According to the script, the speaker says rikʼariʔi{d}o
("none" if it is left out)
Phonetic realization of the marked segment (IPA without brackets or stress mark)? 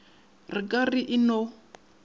n